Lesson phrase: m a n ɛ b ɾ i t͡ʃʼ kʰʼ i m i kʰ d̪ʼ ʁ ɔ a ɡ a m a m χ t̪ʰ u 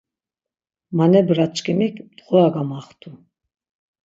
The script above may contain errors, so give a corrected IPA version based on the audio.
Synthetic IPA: m a n ɛ b ɾ a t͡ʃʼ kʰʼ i m i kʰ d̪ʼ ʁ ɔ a ɡ a m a χ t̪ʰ u